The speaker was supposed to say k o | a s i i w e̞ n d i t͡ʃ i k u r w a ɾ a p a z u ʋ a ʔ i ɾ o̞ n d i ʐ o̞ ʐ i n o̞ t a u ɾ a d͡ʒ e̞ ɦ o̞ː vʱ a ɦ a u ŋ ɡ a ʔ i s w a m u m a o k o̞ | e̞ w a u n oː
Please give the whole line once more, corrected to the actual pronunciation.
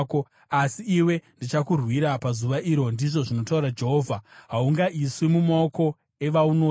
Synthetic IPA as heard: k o | a s i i w e̞ n d i t͡ʃ a k u r w i ɾ a p a z u ʋ a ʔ i ɾ o̞ n d i ʐ o̞ ʐ i n o̞ t a u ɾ a d͡ʒ e̞ ɦ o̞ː vʱ a ɦ a u ŋ ɡ a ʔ i s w i m u m a o k o̞ | e̞ ʋ a u n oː